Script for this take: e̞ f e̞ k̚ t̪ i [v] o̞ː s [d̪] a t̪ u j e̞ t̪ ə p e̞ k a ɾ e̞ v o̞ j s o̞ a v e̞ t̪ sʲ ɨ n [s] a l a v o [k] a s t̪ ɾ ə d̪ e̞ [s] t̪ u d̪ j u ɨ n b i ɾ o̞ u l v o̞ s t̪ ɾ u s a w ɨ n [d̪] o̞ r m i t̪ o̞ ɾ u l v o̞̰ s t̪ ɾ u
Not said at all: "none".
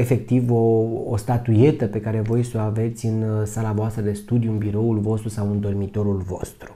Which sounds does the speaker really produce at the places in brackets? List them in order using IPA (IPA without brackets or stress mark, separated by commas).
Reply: v, t̪, s, none, s, d̪